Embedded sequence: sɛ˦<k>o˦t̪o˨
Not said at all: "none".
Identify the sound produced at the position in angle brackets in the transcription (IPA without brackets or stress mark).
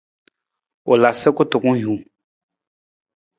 k